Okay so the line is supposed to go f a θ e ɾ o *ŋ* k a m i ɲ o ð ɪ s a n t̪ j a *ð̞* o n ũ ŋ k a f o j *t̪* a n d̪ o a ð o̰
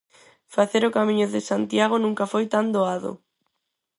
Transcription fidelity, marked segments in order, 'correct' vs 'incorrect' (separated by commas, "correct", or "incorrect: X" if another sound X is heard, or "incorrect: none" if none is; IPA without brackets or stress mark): incorrect: none, incorrect: ɣ̞, correct